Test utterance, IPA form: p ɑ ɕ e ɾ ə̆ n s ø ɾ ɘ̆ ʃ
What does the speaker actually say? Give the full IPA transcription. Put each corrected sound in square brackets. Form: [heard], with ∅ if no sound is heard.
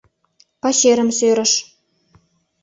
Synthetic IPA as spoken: p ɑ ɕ e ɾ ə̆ [m] s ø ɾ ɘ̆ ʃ